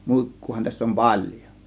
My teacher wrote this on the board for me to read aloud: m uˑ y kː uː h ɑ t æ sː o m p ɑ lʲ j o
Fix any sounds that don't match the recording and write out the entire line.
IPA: m uˑ i kː uː h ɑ t æ sː o m p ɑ lʲ j o